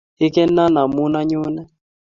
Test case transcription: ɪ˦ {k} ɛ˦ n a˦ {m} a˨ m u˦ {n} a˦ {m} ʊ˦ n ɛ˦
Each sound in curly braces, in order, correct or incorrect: correct, incorrect: n, correct, incorrect: ɲ

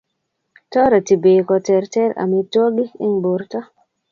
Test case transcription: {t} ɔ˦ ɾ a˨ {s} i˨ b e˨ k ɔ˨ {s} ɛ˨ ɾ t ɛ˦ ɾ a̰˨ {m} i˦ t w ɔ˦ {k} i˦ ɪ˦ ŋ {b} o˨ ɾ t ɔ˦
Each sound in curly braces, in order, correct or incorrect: correct, incorrect: t, incorrect: t, correct, incorrect: ɡ, correct

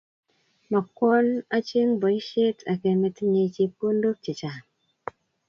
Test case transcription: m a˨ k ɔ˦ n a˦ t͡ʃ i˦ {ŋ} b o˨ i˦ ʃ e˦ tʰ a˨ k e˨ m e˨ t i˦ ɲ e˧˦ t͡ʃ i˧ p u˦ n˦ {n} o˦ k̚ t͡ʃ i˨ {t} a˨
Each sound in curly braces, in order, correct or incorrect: correct, incorrect: d, incorrect: t͡ʃ

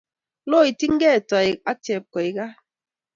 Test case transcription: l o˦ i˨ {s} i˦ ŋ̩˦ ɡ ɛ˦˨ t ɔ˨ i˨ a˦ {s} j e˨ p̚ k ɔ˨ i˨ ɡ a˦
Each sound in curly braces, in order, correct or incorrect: incorrect: t, incorrect: t

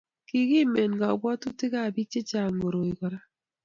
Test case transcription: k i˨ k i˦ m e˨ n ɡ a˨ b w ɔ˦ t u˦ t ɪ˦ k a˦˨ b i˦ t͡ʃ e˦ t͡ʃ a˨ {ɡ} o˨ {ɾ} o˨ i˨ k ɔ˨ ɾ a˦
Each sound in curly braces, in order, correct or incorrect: incorrect: ŋ, correct

